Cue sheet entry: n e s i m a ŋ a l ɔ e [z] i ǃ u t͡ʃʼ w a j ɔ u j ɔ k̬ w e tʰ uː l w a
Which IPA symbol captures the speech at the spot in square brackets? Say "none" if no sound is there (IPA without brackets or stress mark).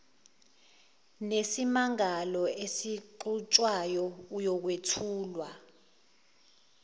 s